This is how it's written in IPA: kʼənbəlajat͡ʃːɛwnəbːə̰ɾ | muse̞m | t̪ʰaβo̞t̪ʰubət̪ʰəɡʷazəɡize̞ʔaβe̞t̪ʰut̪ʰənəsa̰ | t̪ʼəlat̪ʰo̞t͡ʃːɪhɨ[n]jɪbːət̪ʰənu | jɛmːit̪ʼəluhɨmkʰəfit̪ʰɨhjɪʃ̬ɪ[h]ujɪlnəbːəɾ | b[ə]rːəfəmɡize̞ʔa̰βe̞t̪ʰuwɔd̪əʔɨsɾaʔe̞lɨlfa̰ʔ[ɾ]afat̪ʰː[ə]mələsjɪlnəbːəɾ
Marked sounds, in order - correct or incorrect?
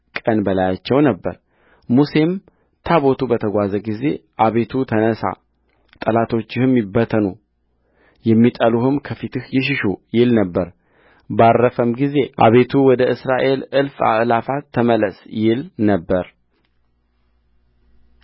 incorrect, incorrect, incorrect, incorrect, correct

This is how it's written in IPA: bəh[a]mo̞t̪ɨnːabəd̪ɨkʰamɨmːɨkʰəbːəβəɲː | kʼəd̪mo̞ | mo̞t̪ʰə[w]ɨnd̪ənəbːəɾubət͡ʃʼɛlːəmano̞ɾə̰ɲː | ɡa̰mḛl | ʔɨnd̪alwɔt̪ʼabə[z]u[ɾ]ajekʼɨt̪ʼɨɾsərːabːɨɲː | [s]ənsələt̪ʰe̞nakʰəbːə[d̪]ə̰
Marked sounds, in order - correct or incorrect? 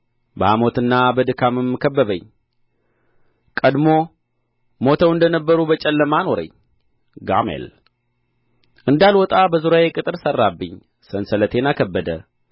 correct, correct, correct, correct, correct, correct

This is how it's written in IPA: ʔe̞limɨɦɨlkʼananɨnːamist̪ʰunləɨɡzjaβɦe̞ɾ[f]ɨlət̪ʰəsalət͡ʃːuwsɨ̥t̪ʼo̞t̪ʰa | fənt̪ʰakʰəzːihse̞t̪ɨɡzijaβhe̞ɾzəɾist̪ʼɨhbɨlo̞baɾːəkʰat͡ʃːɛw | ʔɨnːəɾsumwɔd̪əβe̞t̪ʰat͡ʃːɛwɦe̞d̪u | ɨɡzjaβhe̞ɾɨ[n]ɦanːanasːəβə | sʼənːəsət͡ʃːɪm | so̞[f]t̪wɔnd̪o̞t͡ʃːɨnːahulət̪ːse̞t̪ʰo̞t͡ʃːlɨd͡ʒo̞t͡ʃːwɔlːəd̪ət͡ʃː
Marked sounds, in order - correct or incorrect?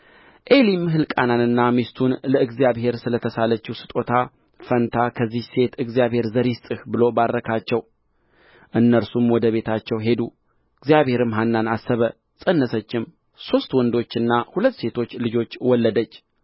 incorrect, incorrect, incorrect

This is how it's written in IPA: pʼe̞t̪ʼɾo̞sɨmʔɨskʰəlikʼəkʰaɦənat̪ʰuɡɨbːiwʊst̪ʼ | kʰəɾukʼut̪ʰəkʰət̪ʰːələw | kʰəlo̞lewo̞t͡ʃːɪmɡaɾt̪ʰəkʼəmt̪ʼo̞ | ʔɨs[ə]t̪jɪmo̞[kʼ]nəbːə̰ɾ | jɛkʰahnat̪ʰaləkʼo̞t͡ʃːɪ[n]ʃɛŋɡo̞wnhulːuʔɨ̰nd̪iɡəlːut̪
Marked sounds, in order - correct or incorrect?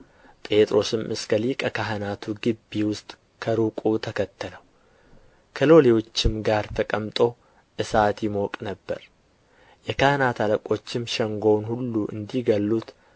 incorrect, correct, incorrect

